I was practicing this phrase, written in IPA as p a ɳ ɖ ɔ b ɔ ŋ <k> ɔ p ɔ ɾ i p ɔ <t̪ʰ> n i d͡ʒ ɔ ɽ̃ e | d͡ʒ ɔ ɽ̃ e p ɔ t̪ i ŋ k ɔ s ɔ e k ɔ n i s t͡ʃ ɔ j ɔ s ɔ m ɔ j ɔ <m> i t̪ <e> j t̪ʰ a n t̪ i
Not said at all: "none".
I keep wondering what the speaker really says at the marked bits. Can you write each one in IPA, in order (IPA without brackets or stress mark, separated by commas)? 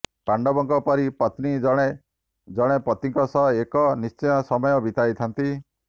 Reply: k, t̪, b, a